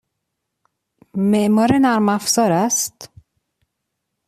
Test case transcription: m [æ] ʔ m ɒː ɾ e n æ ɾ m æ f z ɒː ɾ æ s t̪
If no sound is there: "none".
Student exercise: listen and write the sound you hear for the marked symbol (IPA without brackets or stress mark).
e